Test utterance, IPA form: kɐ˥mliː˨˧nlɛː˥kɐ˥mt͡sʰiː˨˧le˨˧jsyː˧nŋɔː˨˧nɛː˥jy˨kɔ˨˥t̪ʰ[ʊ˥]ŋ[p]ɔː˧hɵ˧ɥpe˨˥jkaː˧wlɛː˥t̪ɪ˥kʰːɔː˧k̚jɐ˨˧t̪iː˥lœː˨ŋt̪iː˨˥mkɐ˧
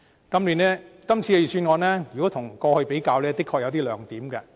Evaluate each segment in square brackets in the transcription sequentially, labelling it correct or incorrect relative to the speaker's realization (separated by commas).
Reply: incorrect, incorrect